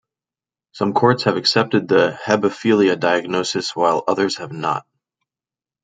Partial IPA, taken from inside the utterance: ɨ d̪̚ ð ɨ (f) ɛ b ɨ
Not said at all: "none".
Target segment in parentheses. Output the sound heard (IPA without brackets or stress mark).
h